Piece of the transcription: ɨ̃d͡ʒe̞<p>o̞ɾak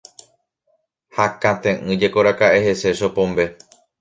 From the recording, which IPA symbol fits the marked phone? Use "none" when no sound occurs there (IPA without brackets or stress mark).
k